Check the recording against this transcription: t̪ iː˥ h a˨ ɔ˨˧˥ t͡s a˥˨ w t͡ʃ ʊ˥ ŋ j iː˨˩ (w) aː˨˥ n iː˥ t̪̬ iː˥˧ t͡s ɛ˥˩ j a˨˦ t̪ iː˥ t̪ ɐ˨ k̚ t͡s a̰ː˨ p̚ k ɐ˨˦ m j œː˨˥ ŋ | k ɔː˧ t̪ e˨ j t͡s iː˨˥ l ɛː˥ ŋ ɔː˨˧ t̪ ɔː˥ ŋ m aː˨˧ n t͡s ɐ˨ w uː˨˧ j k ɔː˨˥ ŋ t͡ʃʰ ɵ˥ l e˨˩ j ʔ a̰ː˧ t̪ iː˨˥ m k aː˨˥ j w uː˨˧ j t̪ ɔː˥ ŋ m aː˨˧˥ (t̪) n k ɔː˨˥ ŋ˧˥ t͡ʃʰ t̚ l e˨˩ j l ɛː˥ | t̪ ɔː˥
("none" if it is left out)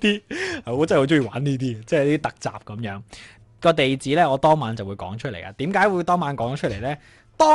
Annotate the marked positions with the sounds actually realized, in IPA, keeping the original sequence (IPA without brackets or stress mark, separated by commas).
w, none